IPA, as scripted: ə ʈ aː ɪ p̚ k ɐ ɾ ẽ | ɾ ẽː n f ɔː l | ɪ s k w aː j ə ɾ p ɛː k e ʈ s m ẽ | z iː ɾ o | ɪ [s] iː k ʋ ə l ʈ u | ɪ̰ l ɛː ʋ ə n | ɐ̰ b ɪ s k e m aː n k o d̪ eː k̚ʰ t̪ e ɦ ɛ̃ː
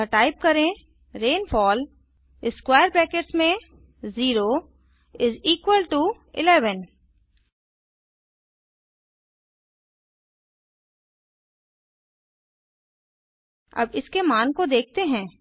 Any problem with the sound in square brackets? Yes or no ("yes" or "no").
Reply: yes